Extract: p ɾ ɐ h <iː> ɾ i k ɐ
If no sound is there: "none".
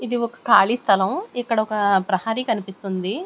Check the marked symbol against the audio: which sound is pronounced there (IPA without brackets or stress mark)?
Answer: aː